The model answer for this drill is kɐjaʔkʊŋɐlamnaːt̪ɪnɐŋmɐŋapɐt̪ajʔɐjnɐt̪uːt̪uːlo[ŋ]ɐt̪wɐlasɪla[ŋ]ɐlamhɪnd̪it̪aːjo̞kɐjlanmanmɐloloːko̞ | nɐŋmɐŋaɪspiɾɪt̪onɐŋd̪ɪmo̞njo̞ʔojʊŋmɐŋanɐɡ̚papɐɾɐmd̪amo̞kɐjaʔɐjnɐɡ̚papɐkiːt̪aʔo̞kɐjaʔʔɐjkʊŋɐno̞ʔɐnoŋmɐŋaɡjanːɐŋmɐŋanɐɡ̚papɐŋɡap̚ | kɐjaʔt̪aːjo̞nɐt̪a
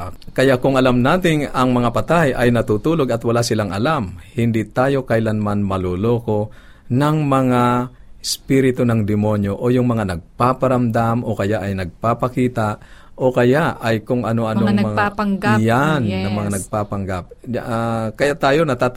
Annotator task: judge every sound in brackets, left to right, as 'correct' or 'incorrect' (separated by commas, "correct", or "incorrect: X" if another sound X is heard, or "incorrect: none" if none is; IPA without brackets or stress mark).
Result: incorrect: ɡ, correct